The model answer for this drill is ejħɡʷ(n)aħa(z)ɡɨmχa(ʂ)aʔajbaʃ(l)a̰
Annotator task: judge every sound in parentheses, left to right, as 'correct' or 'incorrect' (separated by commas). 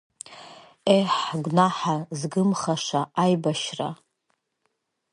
correct, correct, correct, incorrect